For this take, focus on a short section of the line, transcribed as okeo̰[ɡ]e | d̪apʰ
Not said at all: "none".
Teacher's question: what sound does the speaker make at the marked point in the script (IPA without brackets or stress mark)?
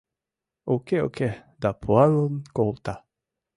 k